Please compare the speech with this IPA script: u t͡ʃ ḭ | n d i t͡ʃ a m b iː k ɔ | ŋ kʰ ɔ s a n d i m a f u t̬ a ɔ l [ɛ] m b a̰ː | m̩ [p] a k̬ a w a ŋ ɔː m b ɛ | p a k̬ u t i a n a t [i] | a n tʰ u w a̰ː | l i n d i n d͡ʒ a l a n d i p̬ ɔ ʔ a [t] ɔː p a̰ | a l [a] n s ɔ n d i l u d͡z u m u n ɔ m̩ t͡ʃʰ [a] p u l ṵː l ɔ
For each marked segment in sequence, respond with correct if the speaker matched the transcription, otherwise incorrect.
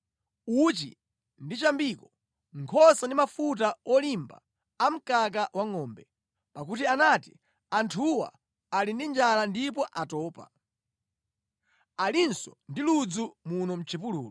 incorrect, incorrect, correct, correct, incorrect, incorrect

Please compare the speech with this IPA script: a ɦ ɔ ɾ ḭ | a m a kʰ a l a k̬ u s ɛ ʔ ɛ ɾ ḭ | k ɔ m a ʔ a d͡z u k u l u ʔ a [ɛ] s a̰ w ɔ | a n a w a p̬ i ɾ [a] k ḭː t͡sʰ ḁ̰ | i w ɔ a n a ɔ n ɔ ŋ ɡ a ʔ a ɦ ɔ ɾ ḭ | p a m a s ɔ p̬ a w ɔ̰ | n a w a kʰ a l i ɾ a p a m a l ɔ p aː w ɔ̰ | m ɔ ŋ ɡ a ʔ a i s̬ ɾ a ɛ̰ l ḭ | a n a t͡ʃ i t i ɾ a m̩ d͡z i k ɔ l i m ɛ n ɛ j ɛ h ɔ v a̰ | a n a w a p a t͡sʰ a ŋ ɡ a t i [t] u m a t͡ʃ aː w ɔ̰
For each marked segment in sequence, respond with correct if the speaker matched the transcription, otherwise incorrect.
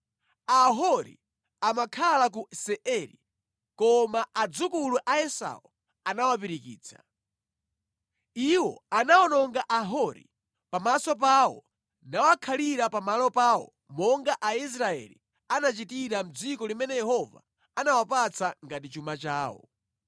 correct, incorrect, incorrect

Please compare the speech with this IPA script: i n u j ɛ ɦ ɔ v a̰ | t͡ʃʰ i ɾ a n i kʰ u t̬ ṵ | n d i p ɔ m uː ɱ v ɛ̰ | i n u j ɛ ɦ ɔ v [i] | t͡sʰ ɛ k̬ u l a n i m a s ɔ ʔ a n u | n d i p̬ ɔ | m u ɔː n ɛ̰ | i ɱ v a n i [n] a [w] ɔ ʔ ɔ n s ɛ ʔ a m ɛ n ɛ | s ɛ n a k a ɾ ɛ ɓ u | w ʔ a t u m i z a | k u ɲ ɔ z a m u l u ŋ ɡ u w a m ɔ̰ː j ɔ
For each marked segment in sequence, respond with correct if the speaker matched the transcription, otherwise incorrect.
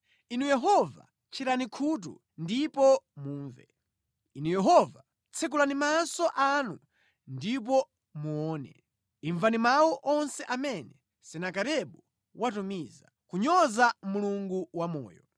incorrect, incorrect, correct

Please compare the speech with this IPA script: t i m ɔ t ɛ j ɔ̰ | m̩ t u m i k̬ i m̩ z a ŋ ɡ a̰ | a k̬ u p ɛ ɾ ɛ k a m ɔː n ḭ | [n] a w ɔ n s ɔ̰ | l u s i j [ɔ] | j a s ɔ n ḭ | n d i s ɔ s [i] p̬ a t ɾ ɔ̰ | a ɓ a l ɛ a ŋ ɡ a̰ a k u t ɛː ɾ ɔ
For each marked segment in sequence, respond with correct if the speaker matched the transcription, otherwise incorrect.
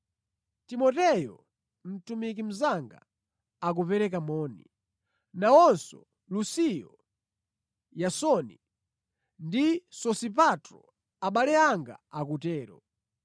correct, correct, correct

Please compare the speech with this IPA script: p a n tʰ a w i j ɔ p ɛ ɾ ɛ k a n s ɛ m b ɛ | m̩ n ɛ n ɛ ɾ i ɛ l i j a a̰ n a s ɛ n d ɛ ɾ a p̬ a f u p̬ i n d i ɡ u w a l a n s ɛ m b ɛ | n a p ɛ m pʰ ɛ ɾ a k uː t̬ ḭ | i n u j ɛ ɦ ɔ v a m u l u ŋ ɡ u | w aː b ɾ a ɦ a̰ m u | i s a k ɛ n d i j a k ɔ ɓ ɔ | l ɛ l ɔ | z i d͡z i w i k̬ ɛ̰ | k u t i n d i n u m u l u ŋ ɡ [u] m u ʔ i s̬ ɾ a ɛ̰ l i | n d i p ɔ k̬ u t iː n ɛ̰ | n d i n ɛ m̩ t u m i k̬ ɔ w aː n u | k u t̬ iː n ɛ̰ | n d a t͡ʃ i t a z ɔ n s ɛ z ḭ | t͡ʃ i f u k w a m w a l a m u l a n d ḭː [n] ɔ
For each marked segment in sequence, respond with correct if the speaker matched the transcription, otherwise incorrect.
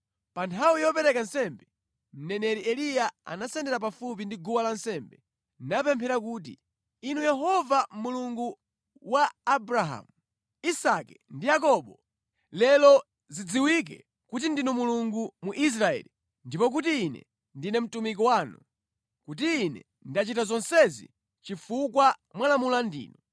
correct, correct

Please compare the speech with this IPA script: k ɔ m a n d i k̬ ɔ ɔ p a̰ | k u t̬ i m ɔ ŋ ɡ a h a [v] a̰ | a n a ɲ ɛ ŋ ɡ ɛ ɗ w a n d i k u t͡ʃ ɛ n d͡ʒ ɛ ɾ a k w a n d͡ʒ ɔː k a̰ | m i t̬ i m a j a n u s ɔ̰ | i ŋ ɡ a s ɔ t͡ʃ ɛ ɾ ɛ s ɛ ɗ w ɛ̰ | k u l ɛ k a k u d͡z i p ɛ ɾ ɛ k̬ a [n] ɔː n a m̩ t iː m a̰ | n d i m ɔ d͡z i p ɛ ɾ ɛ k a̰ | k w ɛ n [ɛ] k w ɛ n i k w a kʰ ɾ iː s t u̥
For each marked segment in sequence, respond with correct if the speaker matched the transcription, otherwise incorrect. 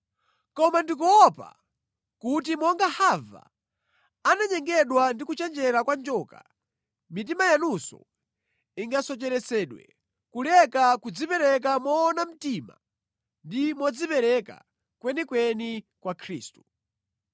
correct, incorrect, incorrect

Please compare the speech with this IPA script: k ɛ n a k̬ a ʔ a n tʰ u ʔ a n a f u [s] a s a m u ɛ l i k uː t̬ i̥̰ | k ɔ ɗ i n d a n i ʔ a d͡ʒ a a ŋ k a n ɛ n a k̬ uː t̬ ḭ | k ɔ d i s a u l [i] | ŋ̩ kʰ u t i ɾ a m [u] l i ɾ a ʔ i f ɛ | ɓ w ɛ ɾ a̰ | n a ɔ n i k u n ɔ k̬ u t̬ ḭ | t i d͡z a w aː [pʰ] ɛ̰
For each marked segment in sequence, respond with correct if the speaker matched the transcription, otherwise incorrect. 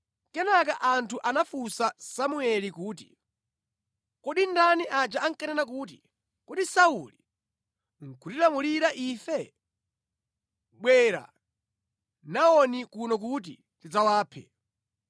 correct, correct, correct, correct

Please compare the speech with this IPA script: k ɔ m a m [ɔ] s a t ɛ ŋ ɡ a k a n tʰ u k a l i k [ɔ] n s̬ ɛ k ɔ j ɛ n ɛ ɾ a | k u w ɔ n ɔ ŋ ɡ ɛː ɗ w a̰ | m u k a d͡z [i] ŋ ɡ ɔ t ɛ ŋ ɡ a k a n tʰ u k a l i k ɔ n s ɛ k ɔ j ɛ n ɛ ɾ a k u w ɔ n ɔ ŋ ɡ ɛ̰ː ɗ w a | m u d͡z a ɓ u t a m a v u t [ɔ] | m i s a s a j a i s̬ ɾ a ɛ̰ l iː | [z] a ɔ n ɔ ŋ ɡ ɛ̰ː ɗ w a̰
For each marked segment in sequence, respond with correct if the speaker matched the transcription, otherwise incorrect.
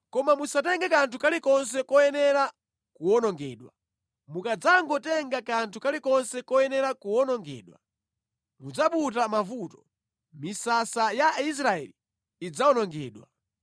incorrect, correct, incorrect, correct, incorrect

